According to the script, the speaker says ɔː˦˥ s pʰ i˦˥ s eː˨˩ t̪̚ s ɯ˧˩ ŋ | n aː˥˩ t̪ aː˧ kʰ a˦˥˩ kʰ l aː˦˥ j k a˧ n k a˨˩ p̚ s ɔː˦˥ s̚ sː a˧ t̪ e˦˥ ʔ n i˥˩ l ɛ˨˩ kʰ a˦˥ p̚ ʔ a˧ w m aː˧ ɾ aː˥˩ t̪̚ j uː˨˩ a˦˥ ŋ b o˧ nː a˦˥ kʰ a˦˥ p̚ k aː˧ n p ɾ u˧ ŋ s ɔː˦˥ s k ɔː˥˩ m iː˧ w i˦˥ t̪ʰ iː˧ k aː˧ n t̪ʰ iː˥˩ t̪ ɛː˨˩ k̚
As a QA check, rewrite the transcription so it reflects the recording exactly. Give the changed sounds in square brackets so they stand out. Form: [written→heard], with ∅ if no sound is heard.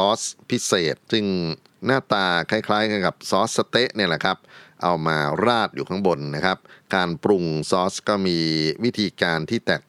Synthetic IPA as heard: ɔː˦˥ s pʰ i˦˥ s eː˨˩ t̪̚ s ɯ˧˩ ŋ | n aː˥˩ t̪ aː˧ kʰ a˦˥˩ kʰ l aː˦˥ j k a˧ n k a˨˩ p̚ s ɔː˦˥ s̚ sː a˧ t̪ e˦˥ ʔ n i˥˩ l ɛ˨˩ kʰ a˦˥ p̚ ʔ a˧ w m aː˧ ɾ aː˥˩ t̪̚ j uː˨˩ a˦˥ ŋ b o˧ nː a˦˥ kʰ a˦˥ p̚ k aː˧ n p ɾ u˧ ŋ s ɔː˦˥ s k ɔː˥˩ m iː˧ w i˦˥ t̪ʰ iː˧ k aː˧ n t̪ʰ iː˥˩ t̪ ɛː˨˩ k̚